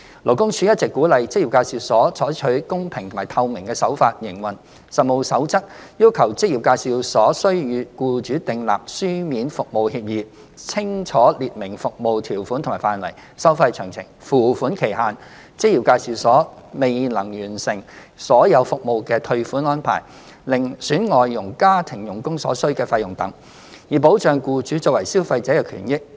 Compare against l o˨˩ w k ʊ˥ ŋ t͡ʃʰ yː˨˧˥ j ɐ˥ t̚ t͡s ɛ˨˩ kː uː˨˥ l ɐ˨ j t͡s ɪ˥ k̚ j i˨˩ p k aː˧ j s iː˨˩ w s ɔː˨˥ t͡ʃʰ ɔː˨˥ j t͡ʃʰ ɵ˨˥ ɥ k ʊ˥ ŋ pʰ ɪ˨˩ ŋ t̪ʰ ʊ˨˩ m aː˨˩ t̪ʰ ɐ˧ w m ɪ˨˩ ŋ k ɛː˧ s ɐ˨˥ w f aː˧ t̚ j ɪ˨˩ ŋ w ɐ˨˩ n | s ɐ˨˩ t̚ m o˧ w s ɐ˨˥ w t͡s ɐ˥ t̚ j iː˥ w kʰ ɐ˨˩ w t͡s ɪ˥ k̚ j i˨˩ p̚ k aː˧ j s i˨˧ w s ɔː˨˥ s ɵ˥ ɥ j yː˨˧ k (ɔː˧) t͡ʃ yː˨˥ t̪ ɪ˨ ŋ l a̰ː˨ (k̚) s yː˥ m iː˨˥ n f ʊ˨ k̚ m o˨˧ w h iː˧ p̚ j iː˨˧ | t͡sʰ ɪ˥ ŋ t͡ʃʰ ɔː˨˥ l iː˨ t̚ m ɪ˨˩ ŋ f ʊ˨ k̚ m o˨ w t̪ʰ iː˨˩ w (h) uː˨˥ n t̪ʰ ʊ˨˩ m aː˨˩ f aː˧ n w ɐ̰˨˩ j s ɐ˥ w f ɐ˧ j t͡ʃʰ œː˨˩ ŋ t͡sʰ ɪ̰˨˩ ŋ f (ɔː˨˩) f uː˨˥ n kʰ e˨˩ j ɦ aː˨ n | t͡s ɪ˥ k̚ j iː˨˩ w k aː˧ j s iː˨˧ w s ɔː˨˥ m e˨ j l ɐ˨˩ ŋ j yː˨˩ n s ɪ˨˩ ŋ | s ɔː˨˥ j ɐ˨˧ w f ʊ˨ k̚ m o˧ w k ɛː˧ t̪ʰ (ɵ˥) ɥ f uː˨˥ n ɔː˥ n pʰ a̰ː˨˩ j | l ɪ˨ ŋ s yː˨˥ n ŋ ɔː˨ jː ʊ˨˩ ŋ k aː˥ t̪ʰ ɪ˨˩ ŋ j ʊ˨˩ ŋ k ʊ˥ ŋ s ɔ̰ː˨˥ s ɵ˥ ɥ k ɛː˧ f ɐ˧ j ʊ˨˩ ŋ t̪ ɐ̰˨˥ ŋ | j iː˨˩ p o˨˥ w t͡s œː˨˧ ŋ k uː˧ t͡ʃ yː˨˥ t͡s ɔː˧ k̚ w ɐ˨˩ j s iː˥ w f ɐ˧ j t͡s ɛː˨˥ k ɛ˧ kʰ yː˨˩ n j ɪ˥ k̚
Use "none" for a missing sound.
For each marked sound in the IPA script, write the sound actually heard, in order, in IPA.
uː˧, p̚, f, uː˨˩, ɵ˧

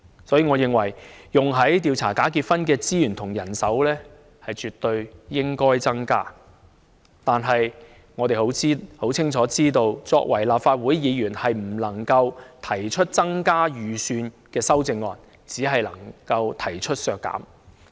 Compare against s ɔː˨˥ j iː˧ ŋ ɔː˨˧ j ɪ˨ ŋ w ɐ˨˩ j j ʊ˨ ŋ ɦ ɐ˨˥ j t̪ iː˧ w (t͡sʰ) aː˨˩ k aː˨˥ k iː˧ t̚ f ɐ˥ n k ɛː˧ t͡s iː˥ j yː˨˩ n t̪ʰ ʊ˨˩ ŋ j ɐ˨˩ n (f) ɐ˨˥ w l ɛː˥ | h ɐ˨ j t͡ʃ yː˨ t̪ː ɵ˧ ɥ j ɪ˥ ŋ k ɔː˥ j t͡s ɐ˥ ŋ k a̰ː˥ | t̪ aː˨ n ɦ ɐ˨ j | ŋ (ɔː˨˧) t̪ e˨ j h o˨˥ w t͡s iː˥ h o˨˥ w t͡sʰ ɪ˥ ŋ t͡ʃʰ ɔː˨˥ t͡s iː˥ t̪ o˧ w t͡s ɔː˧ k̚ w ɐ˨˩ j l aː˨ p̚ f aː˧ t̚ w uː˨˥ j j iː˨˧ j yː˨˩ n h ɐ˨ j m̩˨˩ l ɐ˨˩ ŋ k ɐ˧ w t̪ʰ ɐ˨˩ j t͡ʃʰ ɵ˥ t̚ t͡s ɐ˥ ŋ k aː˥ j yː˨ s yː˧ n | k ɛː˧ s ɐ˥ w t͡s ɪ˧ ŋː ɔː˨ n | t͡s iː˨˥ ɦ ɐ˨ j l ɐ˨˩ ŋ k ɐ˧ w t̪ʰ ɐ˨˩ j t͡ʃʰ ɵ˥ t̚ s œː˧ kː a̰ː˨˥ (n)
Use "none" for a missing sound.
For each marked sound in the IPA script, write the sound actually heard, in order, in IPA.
t͡sʰ, s, ɔː˨˧, m

